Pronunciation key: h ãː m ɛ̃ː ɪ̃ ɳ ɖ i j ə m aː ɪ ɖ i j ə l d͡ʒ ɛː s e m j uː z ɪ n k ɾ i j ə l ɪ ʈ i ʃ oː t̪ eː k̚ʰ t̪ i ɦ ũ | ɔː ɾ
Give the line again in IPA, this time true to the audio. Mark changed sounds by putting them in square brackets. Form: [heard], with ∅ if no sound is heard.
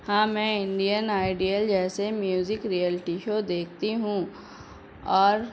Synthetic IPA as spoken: h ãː m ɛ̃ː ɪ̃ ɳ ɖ i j ə [n] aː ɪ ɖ i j ə l d͡ʒ ɛː s e m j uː z ɪ [∅] k ɾ i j ə l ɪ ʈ i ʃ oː [d̪] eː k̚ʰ t̪ i ɦ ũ | ɔː ɾ